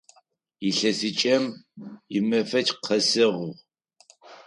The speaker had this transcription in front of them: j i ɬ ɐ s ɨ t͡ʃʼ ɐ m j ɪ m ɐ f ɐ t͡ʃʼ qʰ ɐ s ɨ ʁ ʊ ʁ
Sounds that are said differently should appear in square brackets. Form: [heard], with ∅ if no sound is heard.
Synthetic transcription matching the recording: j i ɬ ɐ s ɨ t͡ʃʼ ɐ m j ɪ m ɐ f ɐ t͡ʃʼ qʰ ɐ s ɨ ʁ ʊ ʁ